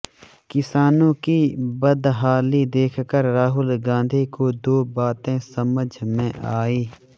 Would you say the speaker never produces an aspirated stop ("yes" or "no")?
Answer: no